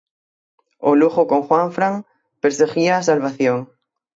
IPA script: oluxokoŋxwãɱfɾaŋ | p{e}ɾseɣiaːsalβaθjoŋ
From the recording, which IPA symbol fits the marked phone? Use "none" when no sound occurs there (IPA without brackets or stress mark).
e